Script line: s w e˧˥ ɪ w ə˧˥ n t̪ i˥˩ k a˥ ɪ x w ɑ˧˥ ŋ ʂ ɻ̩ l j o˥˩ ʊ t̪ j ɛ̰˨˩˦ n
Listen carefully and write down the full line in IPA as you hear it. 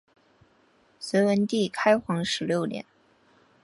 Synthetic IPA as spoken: s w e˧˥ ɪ w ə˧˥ n t̪ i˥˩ kʰ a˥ ɪ x w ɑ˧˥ ŋ ʂ ɻ̩ l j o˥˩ ʊ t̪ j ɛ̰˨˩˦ n